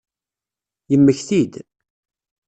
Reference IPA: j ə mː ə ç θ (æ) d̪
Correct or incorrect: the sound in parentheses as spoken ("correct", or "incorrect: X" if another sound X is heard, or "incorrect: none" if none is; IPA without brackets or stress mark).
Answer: incorrect: i